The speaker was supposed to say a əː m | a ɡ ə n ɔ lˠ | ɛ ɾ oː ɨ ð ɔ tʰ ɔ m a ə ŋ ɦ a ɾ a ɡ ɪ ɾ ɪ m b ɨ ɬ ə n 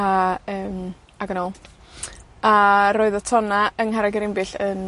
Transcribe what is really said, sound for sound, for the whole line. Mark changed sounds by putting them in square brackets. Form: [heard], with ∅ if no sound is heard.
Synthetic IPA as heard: a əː m | a ɡ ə n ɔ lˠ | [a] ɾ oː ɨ ð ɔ tʰ ɔ [n] a ə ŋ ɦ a ɾ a ɡ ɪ ɾ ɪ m b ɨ ɬ ə n